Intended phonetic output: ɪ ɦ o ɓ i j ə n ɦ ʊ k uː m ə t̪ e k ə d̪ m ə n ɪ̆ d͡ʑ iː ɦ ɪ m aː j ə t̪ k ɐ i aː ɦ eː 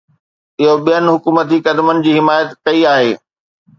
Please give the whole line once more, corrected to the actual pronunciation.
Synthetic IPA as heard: ɪ ɦ o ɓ i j ə n ɦ ʊ k uː m ə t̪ i k ɐ d̪ m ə n ɪ̆ d͡ʑ iː ɦ ɪ m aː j ə t̪ k ɐ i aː ɦ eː